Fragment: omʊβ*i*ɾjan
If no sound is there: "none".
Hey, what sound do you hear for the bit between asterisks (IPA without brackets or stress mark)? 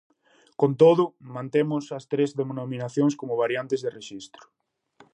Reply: a